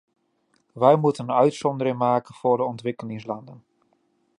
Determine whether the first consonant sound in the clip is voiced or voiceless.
voiced